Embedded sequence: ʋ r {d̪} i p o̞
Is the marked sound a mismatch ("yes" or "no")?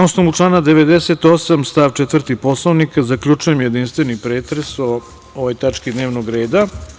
yes